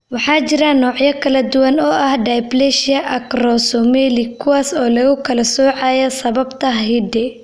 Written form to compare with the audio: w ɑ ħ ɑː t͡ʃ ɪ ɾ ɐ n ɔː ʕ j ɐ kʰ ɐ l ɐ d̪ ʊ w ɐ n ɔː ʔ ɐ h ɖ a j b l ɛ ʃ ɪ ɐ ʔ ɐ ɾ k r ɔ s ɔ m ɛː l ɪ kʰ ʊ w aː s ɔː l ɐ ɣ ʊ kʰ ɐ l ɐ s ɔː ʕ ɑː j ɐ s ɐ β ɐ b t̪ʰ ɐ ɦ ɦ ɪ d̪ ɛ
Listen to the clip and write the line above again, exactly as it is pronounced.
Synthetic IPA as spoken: w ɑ ħ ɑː t͡ʃ ɪ ɾ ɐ n ɔː ʕ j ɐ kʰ ɐ l ɐ d̪ ʊ w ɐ n ɔː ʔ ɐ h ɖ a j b l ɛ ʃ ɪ ɐ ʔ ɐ k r ɔ s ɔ m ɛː l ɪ kʰ ʊ w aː s ɔː l ɐ ɣ ʊ kʰ ɐ l ɐ s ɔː ʕ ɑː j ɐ s ɐ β ɐ b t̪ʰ ɐ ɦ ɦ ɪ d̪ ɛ